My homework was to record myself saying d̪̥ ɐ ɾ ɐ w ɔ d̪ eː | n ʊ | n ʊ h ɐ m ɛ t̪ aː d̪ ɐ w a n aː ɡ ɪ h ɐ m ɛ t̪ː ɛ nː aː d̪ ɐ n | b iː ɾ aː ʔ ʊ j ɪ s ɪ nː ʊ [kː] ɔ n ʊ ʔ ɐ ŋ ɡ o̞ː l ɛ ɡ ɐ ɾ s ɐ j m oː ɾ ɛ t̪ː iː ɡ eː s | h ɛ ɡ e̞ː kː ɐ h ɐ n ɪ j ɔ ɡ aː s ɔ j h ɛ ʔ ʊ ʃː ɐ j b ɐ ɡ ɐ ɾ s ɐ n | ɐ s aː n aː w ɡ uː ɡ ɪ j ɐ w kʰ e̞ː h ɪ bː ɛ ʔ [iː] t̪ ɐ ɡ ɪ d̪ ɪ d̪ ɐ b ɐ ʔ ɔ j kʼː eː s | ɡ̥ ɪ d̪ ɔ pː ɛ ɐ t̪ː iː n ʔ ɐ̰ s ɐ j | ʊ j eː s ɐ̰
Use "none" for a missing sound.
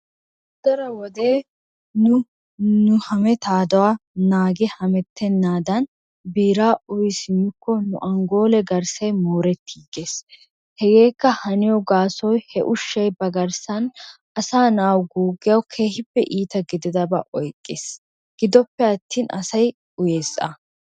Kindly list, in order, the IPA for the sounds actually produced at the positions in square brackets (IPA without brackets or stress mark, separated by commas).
kː, iː